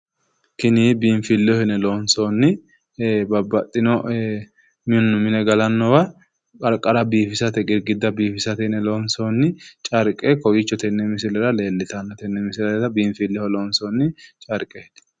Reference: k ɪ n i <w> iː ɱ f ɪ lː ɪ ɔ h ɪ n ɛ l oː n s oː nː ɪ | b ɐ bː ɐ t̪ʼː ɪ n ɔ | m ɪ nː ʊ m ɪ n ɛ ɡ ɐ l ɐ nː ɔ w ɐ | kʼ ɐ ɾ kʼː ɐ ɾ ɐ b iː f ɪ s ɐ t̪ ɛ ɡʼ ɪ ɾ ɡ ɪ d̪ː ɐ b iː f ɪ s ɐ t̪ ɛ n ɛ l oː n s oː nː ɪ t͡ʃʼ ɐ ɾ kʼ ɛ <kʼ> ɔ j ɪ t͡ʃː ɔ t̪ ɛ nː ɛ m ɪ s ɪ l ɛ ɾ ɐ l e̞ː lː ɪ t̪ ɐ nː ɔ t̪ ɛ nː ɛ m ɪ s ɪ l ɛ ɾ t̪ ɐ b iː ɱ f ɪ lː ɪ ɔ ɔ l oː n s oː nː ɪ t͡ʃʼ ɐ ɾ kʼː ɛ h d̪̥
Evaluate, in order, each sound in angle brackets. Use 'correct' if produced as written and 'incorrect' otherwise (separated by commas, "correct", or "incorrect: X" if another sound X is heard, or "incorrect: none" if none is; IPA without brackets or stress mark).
incorrect: b, incorrect: k